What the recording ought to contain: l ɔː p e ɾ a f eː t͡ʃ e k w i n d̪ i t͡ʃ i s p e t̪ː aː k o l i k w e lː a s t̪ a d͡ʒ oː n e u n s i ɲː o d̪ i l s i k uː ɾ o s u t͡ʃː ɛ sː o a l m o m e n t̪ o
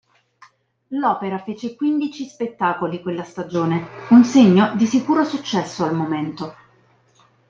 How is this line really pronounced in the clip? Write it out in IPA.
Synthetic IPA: l ɔː p e ɾ a f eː t͡ʃ e k w i n d̪ i t͡ʃ i s p e t̪ː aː k o l i k w e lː a s t̪ a d͡ʒ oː n e u n s e ɲː o d̪ i s i k uː ɾ o s u t͡ʃː ɛ sː o a l m o m e n t̪ o